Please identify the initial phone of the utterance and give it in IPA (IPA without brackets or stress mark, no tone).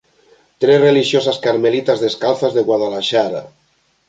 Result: t̪